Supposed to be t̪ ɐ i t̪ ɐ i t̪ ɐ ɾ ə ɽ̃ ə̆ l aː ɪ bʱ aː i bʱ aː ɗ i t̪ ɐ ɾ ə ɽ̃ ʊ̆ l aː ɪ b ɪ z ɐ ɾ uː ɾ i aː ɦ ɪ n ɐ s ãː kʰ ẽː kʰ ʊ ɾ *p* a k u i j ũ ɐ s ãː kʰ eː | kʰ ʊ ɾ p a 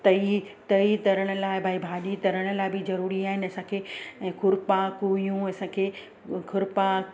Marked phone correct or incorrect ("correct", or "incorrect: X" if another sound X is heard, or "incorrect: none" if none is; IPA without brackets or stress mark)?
correct